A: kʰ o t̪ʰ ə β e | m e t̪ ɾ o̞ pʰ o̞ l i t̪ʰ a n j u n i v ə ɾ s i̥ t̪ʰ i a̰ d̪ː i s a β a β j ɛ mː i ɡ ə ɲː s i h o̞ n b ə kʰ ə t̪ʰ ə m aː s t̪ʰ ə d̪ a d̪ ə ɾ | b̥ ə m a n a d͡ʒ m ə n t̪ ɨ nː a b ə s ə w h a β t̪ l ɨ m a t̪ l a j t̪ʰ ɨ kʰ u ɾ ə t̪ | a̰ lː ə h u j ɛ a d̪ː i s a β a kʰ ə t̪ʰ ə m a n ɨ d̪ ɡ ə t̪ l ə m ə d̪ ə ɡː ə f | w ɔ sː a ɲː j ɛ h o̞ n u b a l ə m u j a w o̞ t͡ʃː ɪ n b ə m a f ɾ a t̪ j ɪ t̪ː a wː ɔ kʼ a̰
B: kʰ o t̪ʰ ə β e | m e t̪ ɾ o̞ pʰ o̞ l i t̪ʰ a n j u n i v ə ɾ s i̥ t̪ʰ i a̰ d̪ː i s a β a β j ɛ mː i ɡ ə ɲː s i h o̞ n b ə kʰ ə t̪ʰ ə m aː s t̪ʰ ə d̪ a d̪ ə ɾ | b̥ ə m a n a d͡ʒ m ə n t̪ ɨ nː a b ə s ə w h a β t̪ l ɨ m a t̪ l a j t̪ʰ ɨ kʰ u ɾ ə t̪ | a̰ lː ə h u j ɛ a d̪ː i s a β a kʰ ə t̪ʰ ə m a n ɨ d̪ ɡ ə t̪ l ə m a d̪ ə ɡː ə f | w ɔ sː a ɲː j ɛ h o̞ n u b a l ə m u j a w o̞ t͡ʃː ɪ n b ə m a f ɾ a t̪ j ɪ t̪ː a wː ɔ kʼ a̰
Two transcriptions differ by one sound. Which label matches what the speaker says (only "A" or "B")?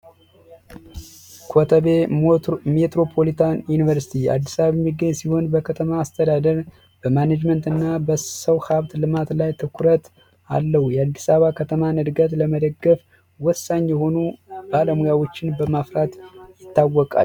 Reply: A